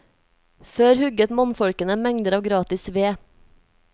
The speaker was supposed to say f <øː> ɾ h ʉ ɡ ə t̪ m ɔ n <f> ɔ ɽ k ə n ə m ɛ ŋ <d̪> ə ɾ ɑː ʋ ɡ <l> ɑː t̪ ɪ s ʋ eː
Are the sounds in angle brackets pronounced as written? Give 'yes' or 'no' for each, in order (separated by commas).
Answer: yes, yes, yes, no